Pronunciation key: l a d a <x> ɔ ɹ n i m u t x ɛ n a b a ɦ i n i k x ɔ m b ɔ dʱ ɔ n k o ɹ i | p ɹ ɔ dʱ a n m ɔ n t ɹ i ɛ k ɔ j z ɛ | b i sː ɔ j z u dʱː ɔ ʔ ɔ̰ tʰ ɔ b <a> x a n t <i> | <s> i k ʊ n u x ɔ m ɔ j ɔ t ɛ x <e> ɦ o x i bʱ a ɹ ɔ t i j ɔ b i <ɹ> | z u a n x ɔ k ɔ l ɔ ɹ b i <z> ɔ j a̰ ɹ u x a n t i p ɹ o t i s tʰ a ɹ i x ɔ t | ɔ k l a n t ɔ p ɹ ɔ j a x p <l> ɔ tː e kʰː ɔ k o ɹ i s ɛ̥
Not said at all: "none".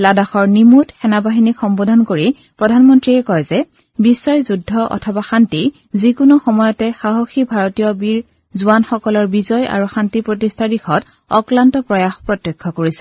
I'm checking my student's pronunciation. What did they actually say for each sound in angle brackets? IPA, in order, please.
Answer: x, a, i, z, a, ɹ, z, ɹ

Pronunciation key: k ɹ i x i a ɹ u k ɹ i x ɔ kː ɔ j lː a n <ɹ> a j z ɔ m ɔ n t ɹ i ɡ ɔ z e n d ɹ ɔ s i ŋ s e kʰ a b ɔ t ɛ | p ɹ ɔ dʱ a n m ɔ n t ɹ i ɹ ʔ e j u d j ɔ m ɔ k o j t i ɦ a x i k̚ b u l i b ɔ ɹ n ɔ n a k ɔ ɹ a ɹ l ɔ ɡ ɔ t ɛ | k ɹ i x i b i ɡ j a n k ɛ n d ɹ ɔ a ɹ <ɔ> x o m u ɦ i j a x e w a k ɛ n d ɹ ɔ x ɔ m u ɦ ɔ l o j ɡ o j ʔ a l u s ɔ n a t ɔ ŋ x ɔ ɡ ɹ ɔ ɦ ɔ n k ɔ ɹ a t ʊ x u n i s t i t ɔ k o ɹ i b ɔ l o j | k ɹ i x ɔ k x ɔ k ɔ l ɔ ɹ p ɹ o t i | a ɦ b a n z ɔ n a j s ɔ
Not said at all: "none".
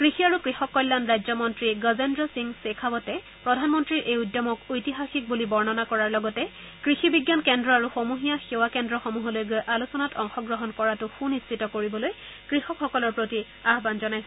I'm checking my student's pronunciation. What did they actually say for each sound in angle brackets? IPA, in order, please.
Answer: ɹ, u

